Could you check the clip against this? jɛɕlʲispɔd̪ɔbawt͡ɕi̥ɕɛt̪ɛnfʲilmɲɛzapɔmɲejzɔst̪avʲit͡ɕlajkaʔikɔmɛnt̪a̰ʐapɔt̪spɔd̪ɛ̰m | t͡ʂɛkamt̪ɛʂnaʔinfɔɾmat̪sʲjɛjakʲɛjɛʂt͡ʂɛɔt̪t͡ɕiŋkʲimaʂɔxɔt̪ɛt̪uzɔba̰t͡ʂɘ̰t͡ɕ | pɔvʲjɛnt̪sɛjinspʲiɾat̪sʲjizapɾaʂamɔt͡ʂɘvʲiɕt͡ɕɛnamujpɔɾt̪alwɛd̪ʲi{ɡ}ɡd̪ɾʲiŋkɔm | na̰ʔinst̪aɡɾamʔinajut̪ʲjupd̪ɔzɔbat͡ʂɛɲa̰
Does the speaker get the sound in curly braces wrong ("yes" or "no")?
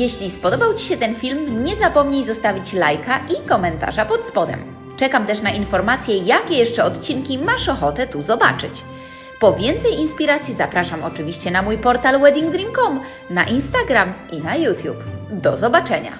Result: yes